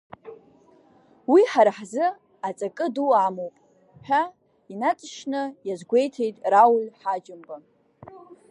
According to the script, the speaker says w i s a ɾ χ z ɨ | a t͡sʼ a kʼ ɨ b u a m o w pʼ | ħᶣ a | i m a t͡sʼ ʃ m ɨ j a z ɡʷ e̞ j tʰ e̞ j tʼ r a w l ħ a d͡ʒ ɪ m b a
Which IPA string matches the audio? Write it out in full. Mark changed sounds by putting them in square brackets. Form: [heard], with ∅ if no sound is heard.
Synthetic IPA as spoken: w i [ħ] a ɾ [ħ] z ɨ | a t͡sʼ a kʼ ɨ [d] u a m o w pʼ | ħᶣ a | i [n] a t͡sʼ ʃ [n] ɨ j a z ɡʷ e̞ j tʰ e̞ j tʼ r a w l ħ a d͡ʒ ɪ m b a